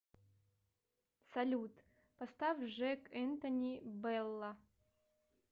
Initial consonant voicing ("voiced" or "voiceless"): voiceless